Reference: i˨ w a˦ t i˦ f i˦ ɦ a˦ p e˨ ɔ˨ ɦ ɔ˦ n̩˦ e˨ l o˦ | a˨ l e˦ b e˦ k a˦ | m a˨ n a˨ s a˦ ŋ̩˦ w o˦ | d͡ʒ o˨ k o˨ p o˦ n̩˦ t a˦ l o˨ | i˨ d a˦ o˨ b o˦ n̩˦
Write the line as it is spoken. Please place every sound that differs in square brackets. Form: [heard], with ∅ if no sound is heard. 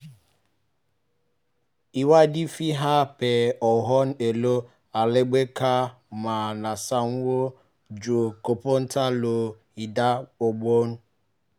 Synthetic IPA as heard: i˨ w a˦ [d] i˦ f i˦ ɦ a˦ p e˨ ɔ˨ ɦ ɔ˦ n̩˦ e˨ l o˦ | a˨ l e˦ [ɡ͡b] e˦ k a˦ | m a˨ n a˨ s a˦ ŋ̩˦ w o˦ | d͡ʒ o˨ k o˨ p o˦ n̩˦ t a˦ l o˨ | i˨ d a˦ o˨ [ɡ͡b] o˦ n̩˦